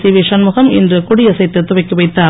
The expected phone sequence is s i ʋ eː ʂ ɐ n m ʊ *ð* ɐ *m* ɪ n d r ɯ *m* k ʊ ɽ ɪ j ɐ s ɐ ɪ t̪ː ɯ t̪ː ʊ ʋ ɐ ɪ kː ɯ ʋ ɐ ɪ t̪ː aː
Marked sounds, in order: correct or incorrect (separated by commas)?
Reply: incorrect, correct, incorrect